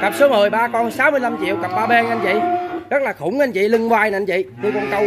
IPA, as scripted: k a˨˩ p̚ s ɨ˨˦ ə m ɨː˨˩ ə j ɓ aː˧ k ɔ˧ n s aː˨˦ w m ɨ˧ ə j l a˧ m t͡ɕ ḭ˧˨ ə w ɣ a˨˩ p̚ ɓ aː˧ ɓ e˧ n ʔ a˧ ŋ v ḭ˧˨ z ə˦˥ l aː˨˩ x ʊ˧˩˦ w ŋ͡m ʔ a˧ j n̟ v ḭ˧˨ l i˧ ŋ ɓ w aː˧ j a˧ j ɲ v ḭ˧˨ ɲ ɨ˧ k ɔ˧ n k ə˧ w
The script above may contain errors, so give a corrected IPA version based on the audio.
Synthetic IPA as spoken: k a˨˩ p̚ s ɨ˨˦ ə m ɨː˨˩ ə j ɓ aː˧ k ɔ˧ n s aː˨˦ w m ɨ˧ ə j l a˧ m t͡ɕ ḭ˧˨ ə w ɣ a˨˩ p̚ ɓ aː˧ ɓ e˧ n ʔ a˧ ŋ v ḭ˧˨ z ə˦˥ l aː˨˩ x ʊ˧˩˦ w ŋ͡m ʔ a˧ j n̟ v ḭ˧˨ l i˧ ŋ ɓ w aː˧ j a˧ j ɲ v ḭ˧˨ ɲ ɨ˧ k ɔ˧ n k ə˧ w